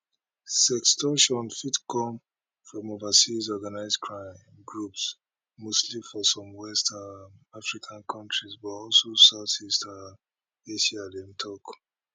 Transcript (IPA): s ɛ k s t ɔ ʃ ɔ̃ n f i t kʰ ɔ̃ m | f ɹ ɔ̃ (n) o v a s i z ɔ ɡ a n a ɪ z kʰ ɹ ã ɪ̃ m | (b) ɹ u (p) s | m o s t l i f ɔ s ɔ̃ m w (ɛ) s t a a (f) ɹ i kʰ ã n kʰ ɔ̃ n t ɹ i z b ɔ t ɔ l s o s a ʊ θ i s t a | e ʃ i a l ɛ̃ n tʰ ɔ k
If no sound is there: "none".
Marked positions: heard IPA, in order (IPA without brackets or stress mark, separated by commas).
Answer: m, ɡ, p, ɛ, f